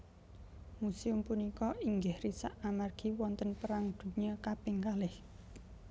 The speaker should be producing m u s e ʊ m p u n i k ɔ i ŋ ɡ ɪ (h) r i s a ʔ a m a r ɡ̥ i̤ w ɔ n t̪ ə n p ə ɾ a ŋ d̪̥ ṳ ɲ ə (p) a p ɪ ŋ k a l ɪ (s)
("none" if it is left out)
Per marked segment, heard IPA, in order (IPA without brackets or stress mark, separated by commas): h, k, h